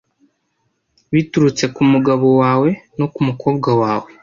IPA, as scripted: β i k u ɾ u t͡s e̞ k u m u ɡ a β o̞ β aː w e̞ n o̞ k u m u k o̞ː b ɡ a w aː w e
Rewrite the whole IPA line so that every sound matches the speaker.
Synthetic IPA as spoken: β i t u ɾ u t͡s e̞ k u m u ɡ a β o̞ w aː w e̞ n o̞ k u m u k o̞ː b ɡ a w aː w e